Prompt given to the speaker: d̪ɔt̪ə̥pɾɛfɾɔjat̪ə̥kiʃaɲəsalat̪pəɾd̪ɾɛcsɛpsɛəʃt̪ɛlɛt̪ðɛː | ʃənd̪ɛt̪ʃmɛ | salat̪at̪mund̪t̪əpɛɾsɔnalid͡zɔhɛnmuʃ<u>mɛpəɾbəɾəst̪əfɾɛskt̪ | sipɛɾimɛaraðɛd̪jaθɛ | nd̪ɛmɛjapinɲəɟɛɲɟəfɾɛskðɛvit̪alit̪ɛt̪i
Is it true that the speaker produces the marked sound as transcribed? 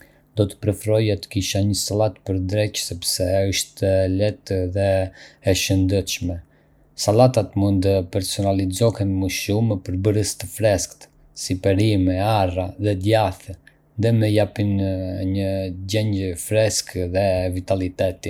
yes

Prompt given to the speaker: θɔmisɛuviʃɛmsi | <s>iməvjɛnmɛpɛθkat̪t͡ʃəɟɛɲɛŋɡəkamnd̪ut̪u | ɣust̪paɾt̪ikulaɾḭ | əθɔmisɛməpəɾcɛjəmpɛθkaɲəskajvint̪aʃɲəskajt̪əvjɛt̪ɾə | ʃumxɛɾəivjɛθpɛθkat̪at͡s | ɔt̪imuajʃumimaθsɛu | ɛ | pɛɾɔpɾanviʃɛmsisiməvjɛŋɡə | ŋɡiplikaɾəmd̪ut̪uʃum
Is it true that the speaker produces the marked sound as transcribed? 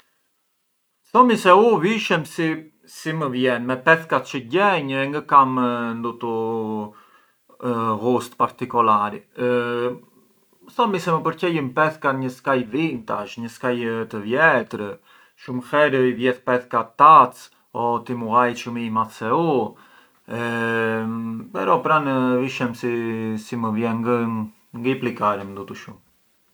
yes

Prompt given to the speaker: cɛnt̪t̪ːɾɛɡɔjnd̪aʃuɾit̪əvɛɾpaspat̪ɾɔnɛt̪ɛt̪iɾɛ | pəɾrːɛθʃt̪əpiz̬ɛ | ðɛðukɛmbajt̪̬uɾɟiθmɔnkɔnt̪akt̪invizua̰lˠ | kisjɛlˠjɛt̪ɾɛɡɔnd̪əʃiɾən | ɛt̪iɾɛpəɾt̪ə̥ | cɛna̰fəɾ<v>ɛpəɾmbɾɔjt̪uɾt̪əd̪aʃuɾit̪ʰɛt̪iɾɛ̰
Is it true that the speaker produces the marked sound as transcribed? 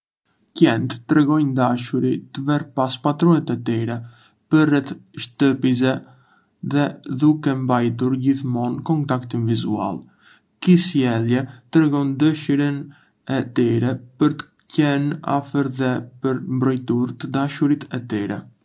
no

